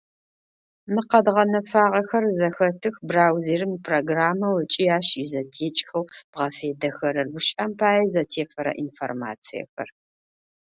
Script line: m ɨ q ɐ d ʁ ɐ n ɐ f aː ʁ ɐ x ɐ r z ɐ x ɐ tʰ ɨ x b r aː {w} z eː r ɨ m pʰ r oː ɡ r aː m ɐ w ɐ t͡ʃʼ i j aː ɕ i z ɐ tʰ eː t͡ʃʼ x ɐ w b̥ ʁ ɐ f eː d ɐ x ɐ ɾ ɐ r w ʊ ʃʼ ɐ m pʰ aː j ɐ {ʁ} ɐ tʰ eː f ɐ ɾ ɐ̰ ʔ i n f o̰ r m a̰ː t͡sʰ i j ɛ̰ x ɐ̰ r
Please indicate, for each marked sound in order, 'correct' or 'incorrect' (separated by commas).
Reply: correct, incorrect